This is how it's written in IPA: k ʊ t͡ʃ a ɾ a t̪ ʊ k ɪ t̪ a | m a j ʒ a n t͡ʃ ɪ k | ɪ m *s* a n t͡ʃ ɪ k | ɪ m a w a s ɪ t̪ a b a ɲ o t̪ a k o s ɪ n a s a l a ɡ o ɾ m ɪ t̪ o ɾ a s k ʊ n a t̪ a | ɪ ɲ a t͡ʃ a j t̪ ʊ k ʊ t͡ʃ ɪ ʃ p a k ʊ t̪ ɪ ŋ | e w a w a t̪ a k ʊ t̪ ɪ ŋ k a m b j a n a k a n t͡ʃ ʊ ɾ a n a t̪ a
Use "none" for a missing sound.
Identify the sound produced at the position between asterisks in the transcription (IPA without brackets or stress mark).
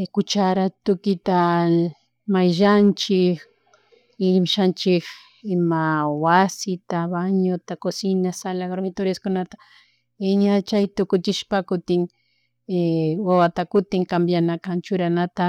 ʃ